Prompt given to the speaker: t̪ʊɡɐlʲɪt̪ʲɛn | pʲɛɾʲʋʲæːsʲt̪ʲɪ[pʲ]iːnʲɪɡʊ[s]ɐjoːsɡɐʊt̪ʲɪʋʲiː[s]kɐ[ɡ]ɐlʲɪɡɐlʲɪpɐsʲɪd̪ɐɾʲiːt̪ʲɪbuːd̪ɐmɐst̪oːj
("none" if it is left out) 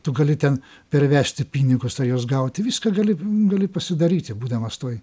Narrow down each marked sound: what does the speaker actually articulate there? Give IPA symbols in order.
pʲ, s, s, ɡ

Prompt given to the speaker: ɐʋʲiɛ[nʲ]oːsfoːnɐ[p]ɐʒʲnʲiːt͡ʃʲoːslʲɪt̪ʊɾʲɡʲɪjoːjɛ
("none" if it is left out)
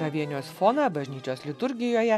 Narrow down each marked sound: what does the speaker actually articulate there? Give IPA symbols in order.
nʲ, b

